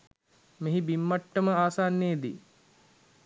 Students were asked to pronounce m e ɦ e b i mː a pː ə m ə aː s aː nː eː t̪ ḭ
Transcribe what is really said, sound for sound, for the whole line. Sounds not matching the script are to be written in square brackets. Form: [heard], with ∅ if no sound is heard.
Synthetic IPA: m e ɦ [i] b i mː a [ʈː] ə m ə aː s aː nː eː [d̪] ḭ